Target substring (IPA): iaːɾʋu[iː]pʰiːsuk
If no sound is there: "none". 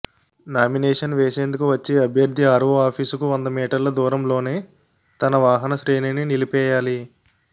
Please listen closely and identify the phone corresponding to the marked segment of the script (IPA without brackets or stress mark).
aː